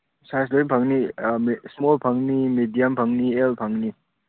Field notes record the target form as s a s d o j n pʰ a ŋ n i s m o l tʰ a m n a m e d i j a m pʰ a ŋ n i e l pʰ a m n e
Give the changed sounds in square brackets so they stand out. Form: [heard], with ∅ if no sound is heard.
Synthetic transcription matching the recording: s a s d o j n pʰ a ŋ n i s m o l [pʰ] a [ŋ] n [i] m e d i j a m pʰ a ŋ n i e l pʰ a [ŋ] n [i]